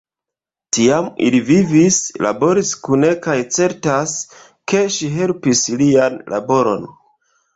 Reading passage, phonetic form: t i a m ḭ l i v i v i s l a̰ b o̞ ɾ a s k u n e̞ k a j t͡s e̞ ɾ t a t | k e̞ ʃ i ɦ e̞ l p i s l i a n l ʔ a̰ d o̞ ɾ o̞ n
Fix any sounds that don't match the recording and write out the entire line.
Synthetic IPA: t i a m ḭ l i v i v i s l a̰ b o̞ ɾ i s k u n e̞ k a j t͡s e̞ ɾ t a s | k e̞ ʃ i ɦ e̞ l p i s l i a n l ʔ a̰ b o̞ ɾ o̞ n